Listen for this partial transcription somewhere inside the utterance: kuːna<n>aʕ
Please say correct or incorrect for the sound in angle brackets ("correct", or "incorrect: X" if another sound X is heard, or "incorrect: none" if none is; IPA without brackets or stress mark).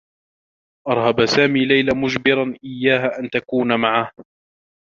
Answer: incorrect: m